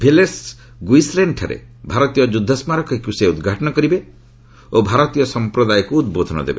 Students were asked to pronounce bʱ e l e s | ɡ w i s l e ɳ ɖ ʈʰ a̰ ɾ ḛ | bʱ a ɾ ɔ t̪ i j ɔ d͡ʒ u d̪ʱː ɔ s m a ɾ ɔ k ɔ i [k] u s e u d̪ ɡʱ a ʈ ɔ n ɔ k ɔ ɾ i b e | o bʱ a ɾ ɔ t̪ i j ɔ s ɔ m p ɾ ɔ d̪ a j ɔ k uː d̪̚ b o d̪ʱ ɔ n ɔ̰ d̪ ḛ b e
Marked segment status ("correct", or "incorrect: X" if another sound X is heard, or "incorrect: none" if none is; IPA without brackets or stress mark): correct